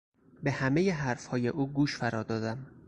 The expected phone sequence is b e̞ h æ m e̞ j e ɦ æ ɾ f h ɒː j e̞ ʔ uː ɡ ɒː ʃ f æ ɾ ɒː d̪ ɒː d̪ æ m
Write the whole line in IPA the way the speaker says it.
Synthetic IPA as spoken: b e̞ h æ m e̞ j e ɦ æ ɾ f h ɒː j e̞ ʔ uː ɡ uː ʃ f æ ɾ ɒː d̪ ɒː d̪ æ m